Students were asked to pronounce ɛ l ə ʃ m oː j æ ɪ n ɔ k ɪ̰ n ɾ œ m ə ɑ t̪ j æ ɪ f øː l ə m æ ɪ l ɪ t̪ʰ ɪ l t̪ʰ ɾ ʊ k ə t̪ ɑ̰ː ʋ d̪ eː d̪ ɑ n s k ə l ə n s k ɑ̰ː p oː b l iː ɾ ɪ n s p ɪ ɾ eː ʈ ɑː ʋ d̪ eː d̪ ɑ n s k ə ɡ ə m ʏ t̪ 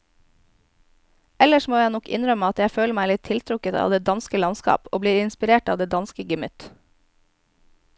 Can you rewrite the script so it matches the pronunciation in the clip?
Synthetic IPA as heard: ɛ l ə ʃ m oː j æ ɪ n ɔ k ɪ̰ n ɾ œ m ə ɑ t̪ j æ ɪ f øː l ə m æ ɪ l ɪ t̪ʰ ɪ l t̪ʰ ɾ ʊ k ə t̪ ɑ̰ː ʋ d̪ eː d̪ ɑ n s k ə l ɑ n s k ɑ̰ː p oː b l iː ɾ ɪ n s p ɪ ɾ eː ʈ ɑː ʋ d̪ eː d̪ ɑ n s k ə ɡ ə m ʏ t̪